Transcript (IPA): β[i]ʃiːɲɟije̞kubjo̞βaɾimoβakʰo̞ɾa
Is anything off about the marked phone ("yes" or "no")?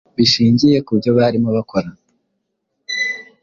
no